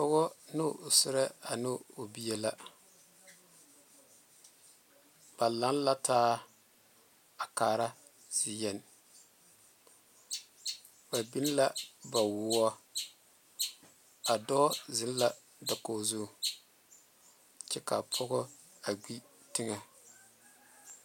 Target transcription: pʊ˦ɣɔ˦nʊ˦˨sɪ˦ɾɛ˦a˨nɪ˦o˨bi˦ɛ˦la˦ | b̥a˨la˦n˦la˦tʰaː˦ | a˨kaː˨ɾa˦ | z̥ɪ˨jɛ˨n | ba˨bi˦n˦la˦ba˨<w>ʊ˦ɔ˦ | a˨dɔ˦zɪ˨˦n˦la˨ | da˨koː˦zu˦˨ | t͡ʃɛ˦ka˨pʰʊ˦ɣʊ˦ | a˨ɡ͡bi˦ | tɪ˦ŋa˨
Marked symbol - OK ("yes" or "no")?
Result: yes